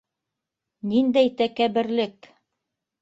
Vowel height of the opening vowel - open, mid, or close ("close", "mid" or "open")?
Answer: close